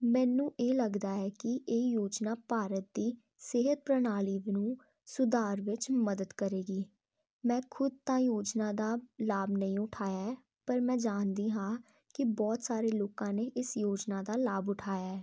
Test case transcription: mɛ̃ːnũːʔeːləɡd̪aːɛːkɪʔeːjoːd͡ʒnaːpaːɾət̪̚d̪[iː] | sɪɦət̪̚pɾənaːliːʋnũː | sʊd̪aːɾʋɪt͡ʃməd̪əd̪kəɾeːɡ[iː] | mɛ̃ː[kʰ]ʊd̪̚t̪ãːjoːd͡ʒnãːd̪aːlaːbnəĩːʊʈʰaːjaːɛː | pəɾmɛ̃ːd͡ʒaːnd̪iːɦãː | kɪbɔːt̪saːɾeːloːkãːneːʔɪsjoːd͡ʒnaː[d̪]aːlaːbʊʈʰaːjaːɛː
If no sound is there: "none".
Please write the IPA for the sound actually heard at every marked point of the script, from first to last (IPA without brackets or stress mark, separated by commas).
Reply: iː, iː, kʰ, d̪